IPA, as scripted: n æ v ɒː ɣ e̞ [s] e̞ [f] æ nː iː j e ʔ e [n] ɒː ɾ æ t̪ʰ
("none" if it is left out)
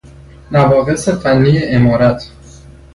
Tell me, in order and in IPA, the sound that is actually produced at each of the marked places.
s, f, m

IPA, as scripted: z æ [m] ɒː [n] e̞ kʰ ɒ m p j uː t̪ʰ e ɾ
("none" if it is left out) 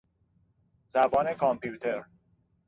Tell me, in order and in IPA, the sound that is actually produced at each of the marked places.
b, n

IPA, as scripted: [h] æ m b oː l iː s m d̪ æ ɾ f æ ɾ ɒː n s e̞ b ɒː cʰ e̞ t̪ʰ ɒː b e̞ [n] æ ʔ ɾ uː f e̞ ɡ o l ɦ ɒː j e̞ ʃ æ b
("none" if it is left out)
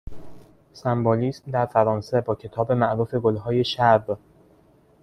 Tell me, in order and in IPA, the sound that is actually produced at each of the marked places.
s, m

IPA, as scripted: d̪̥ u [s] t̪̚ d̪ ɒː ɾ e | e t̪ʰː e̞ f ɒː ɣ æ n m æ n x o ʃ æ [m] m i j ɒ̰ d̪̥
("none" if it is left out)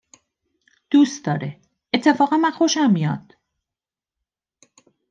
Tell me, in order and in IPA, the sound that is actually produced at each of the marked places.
s, m

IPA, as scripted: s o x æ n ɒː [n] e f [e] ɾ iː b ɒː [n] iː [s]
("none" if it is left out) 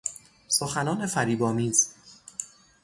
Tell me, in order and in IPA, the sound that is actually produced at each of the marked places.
n, æ, m, z

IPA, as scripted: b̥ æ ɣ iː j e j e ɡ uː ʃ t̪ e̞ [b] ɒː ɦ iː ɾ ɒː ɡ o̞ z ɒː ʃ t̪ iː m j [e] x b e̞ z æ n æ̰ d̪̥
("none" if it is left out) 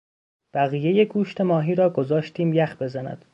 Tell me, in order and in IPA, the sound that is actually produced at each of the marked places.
m, æ

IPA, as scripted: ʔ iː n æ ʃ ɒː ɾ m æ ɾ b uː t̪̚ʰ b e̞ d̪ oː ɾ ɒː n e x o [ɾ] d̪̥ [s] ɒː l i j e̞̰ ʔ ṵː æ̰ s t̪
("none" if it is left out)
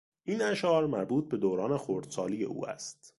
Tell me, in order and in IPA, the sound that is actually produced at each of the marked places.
ɾ, s

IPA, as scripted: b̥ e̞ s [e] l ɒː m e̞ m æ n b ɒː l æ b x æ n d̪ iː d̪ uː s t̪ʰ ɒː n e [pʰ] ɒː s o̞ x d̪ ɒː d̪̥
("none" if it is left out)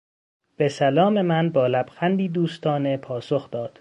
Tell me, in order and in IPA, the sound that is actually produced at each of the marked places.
æ, pʰ

